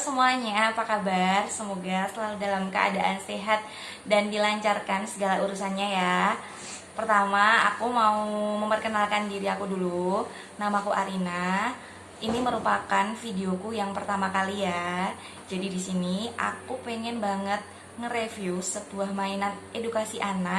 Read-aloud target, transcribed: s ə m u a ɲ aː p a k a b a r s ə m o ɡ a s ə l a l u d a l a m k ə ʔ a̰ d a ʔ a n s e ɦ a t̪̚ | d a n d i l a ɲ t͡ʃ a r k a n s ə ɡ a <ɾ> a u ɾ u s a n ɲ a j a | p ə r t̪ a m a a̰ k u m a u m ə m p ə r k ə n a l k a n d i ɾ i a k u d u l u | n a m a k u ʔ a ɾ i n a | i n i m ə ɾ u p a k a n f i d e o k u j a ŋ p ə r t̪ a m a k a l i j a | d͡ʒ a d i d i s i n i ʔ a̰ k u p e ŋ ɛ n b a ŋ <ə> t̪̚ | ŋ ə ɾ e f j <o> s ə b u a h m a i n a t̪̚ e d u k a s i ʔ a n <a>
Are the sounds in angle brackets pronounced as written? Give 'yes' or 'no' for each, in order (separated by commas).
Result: no, yes, no, yes